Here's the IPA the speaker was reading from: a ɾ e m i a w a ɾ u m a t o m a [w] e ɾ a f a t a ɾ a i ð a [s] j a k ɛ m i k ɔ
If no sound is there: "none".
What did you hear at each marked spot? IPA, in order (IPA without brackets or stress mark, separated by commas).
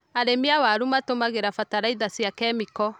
ɣ, s